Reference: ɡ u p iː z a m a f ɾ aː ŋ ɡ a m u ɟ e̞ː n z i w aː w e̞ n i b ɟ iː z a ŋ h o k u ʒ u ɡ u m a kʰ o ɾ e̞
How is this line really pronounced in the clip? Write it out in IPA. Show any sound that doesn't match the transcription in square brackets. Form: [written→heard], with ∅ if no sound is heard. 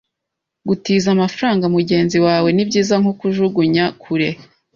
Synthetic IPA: ɡ u [p→t] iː z a m a f ɾ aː ŋ ɡ a m u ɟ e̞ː n z i w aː w e̞ n i b ɟ iː z a ŋ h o k u ʒ u ɡ u [m→ɲ] a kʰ [o→u] ɾ e̞

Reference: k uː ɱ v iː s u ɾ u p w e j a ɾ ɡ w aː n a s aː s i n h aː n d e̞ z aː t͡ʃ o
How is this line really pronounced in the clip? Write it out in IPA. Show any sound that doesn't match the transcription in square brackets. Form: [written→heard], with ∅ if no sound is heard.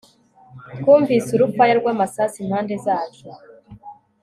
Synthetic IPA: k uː ɱ v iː s u ɾ u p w [e→a] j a ɾ ɡ w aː [n→m] a s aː s i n h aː n d e̞ z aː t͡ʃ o

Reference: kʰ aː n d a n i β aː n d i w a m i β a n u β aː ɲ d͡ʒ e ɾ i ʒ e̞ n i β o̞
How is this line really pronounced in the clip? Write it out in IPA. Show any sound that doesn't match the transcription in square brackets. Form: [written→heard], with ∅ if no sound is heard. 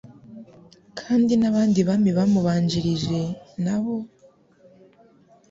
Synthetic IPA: kʰ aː n d [a→i] n [i→a] β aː n d i [w→β] a m i β a [n→m] u β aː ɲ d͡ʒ [e→i] ɾ i ʒ e̞ n [i→a] β o̞

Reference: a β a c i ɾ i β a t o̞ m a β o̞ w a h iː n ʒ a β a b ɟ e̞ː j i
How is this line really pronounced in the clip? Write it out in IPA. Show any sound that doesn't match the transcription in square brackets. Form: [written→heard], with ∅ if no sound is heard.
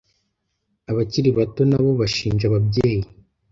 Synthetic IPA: a β a c i ɾ i β a t o̞ [m→n] a β o̞ [w→β] a [h→ʃ] iː n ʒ a β a b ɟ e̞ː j i

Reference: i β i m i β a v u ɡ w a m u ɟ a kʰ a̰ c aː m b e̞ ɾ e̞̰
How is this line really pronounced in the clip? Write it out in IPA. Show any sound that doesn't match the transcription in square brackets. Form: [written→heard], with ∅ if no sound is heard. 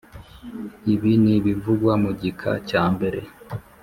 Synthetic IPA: i β i [m→n] i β [a→i] v u ɡ w a m u ɟ [a→i] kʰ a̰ c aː m b e̞ ɾ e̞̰

